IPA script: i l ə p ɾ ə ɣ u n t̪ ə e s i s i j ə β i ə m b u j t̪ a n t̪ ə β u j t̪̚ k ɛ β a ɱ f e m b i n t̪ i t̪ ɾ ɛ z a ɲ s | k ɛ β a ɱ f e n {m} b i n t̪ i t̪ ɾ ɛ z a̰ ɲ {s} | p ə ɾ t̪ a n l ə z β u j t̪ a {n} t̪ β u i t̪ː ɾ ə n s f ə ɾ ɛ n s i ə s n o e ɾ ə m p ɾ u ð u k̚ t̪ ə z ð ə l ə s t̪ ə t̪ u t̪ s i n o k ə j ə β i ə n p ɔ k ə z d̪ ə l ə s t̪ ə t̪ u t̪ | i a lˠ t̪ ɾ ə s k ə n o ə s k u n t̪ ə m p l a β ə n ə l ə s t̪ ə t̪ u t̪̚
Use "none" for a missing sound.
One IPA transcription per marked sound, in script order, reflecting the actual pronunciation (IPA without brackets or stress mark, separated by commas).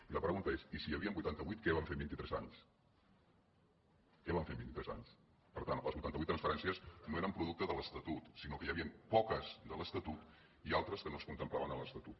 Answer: m, s, n